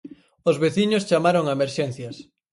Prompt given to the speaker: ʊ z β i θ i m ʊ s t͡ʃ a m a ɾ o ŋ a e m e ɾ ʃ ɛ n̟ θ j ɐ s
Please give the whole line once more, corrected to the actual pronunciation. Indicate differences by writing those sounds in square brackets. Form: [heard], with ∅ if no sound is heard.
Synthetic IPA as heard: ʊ z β [e] θ i [ɲ] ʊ s t͡ʃ a m a ɾ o ŋ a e m e ɾ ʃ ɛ n̟ θ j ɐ s